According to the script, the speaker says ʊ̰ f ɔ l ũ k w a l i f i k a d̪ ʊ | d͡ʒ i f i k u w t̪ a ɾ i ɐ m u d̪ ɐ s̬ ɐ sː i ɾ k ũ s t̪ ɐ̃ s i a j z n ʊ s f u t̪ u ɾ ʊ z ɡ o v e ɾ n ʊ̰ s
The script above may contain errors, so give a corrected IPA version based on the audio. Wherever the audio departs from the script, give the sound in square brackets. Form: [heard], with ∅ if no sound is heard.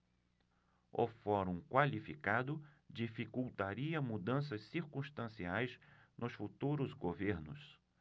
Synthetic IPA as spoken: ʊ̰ f ɔ [ɾ] ũ k w a l i f i k a d̪ ʊ | d͡ʒ i f i k u w t̪ a ɾ i ɐ m u d̪ [ɐ̃] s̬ ɐ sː i ɾ k ũ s t̪ ɐ̃ s i a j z n ʊ s f u t̪ u ɾ ʊ z ɡ o v e ɾ n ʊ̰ s